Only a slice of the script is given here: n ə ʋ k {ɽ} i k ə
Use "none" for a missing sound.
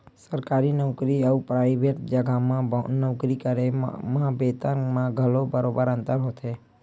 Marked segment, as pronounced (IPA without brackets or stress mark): ɾ